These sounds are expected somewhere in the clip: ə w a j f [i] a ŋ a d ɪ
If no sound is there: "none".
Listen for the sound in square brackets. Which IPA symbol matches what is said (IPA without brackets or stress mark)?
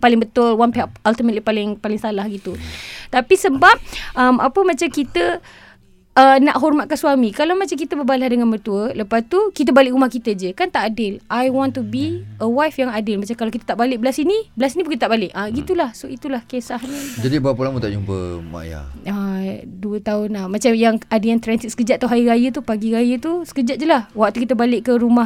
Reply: j